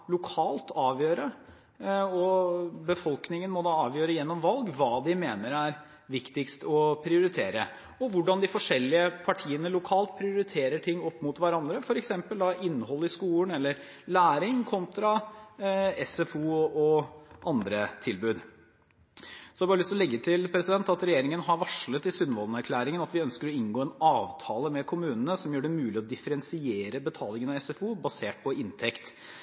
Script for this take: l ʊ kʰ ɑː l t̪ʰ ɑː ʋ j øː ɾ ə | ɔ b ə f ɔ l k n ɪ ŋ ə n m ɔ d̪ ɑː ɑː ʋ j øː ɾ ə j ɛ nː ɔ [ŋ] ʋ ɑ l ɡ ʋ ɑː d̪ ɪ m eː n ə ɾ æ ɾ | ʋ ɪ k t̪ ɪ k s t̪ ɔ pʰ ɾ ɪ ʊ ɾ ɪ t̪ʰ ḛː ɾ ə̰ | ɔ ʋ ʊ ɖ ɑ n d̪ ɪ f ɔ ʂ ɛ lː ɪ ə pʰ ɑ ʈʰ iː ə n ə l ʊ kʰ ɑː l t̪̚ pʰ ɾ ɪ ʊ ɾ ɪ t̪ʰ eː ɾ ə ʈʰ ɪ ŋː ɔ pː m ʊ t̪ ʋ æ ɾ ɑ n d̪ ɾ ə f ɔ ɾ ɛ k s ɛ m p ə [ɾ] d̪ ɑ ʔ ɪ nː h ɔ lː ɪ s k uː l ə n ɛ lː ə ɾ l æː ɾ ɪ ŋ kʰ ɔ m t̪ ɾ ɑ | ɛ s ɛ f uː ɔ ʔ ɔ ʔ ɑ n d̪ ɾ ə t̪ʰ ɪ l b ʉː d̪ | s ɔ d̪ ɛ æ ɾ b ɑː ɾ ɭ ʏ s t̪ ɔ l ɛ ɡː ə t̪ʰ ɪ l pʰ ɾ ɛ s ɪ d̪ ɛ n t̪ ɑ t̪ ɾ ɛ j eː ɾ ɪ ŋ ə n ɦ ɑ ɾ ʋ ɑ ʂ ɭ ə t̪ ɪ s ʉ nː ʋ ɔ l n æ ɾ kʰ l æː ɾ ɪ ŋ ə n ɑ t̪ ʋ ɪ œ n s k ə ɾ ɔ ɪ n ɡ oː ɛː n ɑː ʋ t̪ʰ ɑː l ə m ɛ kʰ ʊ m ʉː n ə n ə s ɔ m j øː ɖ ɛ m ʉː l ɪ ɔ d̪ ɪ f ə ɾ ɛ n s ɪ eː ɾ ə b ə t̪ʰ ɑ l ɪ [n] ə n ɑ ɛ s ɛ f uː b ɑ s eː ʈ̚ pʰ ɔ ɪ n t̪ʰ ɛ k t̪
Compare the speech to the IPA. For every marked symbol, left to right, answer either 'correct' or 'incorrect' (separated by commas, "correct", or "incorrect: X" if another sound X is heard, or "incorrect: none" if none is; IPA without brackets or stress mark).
incorrect: m, incorrect: l, incorrect: ŋ